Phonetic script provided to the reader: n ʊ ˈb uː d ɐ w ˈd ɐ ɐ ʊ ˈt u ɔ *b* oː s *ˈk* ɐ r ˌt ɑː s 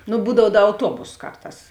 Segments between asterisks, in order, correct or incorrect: correct, correct

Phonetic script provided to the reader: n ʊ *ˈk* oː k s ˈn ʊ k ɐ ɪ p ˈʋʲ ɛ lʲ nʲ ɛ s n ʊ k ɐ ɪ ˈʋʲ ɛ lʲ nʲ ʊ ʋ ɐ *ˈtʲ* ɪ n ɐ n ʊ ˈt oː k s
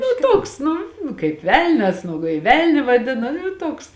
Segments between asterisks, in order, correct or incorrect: incorrect: t, incorrect: dʲ

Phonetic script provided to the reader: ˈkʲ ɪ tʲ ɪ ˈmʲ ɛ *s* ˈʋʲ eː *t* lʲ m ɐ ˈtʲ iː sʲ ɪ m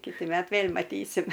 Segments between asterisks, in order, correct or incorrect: incorrect: t, incorrect: none

